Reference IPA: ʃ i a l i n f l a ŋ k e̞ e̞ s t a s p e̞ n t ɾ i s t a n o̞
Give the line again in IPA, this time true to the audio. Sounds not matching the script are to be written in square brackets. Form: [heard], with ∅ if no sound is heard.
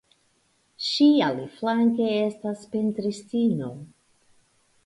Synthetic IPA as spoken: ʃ i a l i [∅] f l a ŋ k e̞ e̞ s t a s p e̞ n t ɾ i s t [i] n o̞